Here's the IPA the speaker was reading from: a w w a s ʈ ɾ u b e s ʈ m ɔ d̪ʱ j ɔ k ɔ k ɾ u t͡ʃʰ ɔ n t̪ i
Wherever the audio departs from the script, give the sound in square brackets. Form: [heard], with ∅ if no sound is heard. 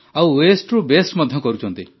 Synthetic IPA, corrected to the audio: a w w [e] s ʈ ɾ u b e s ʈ m ɔ d̪ʱ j ɔ k ɔ [∅] ɾ u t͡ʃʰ ɔ n t̪ i